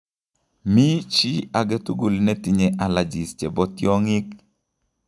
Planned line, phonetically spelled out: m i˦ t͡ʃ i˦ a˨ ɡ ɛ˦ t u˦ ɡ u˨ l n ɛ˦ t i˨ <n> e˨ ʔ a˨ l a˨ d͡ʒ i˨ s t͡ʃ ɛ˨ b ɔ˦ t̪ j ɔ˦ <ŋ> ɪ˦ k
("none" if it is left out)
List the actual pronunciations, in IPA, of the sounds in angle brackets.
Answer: ɲ, ŋ

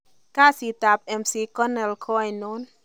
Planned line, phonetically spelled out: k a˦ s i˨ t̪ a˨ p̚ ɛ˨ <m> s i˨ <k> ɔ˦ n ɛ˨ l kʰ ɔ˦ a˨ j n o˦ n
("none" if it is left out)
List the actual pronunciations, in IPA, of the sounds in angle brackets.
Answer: m, k

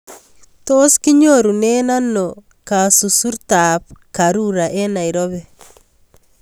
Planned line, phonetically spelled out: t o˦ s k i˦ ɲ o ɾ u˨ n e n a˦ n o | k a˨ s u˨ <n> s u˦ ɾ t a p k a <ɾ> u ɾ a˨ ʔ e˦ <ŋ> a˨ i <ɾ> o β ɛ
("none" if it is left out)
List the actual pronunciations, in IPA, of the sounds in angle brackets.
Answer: none, ɾ, n, ɾ

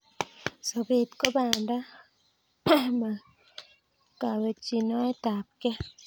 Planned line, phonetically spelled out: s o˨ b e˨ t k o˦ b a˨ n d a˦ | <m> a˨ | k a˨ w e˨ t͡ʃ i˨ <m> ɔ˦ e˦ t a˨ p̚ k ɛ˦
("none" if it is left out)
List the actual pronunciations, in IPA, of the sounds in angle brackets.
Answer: m, n

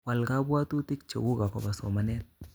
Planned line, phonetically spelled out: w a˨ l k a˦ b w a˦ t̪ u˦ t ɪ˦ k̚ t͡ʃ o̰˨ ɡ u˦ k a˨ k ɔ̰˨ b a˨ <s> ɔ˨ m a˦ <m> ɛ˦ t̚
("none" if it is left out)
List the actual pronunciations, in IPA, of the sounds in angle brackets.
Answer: s, n

